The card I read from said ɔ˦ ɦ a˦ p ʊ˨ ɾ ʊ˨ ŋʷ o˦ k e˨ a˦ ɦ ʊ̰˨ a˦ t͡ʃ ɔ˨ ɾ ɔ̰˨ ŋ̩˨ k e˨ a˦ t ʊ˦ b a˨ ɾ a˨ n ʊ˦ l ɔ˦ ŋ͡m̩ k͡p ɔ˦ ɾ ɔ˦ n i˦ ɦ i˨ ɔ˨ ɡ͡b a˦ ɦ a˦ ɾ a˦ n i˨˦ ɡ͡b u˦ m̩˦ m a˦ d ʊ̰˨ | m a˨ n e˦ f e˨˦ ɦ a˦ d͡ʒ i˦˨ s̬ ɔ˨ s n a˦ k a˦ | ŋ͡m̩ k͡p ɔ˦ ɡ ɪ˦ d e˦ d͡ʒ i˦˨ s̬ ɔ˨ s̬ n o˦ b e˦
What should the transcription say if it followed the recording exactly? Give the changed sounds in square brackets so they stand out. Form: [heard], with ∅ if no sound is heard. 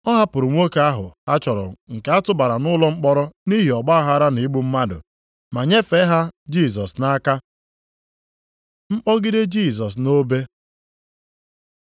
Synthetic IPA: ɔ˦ ɦ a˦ p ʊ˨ ɾ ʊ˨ ŋʷ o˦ k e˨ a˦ ɦ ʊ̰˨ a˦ t͡ʃ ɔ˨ ɾ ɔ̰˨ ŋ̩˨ k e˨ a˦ t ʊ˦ b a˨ ɾ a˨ n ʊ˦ l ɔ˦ ŋ͡m̩ k͡p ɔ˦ ɾ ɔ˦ n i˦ ɦ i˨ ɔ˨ ɡ͡b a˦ ɦ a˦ ɾ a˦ n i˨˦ ɡ͡b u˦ m̩˦ m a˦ d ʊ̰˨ | m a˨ [ɲ] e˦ f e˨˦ ɦ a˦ d͡ʒ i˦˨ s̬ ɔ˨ s n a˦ k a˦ | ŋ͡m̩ k͡p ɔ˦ ɡ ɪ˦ d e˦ d͡ʒ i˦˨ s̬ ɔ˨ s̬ n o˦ b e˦